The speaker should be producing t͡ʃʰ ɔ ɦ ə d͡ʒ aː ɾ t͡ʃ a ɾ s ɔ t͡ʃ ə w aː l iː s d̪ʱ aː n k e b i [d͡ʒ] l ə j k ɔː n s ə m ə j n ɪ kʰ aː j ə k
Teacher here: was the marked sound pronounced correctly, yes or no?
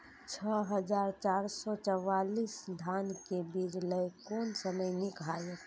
yes